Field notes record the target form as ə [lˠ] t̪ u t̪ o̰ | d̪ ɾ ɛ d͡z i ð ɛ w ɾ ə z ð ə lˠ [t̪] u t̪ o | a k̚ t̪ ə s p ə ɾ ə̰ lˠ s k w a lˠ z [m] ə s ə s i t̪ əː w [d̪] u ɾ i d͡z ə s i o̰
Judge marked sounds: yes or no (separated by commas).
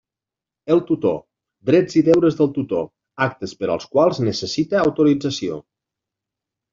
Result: yes, yes, no, no